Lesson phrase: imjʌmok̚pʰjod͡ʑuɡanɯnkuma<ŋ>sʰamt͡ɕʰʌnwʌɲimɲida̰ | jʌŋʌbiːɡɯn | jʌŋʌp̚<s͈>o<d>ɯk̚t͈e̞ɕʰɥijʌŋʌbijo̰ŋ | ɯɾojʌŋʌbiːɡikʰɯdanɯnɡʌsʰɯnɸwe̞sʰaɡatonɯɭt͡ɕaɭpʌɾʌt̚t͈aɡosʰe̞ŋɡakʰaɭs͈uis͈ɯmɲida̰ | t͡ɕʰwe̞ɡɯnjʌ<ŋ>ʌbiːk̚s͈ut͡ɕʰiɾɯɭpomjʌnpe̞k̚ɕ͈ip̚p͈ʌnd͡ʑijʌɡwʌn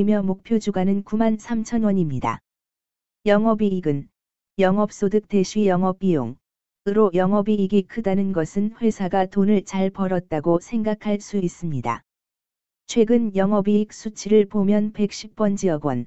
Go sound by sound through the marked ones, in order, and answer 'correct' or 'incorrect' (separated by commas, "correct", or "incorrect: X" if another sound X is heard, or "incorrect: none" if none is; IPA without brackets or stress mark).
incorrect: n, correct, correct, correct